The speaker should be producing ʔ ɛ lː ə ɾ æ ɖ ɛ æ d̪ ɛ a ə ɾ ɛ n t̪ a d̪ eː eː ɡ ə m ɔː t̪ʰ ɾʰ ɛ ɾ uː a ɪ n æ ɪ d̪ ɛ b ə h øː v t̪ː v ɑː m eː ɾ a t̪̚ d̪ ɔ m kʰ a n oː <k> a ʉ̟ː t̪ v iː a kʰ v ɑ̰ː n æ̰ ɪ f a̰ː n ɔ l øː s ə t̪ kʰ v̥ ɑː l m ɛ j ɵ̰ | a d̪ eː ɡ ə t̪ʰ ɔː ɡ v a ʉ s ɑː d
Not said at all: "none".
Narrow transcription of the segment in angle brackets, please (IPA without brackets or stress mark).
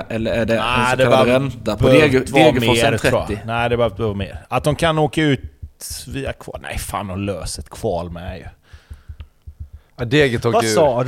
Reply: k